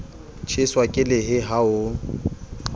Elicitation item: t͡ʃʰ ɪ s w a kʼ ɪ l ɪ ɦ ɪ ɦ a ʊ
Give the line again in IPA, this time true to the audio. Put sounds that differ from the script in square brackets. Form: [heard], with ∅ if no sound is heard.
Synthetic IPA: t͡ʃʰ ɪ s w a kʼ ɪ l ɪ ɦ ɪ ɦ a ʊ